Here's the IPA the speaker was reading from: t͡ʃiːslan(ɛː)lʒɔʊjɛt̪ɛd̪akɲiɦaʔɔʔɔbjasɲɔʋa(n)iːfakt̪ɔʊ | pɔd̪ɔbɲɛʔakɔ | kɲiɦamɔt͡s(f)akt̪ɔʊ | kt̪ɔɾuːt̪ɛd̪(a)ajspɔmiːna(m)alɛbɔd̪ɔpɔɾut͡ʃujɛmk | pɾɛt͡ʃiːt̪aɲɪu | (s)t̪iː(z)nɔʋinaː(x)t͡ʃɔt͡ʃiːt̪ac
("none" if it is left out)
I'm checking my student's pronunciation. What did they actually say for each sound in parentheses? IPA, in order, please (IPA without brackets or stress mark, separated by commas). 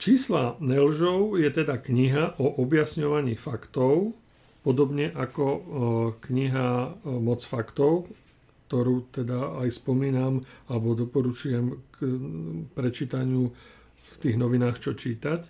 ɛ, ɲ, f, a, m, f, ɣ, x